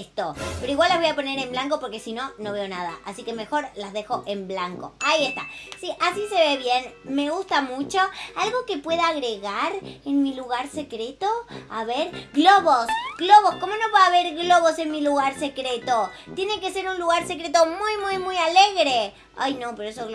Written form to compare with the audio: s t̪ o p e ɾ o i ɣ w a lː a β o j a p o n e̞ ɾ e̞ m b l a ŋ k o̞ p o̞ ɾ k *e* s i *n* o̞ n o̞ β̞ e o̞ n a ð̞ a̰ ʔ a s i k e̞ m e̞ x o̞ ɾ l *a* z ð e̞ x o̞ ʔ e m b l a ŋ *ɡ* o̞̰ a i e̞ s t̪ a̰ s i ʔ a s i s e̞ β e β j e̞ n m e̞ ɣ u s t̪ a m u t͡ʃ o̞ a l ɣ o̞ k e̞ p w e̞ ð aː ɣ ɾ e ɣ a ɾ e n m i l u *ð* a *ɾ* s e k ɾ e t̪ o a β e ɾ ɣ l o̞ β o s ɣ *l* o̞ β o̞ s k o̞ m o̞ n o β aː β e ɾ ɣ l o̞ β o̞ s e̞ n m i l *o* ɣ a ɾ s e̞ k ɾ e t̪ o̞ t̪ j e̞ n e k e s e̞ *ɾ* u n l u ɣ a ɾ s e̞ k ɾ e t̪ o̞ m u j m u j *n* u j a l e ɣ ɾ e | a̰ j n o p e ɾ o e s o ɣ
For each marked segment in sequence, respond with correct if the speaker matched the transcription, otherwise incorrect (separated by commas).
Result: correct, correct, correct, incorrect, incorrect, correct, correct, incorrect, correct, incorrect